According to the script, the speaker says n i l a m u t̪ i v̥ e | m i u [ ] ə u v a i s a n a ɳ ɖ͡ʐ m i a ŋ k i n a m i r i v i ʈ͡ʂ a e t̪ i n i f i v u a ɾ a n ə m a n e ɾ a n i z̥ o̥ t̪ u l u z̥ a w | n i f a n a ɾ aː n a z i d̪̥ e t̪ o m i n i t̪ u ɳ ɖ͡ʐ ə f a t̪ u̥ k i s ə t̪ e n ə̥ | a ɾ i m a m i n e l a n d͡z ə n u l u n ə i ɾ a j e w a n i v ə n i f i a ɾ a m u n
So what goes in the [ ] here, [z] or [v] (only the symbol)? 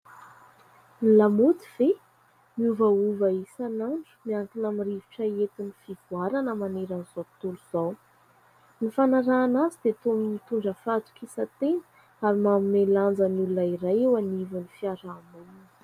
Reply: v